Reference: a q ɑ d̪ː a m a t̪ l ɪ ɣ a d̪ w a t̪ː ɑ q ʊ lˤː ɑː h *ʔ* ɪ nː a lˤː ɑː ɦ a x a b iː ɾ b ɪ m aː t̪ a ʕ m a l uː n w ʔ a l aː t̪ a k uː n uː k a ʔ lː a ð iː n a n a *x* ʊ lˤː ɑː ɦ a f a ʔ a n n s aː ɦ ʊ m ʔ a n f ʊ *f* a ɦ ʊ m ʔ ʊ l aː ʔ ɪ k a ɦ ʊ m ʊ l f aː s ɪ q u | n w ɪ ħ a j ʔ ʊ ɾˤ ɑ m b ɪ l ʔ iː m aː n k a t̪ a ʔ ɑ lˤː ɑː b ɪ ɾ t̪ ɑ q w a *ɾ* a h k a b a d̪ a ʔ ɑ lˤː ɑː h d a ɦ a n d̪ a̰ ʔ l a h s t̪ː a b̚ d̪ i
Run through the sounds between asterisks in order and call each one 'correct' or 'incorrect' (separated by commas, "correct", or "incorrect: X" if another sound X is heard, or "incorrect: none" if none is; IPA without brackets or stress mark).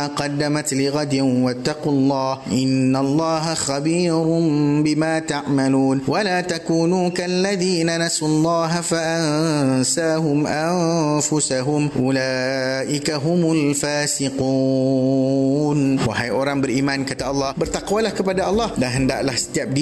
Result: correct, incorrect: s, incorrect: s, incorrect: l